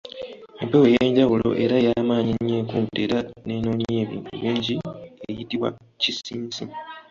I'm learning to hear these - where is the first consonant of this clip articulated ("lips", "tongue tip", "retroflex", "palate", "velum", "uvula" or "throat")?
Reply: lips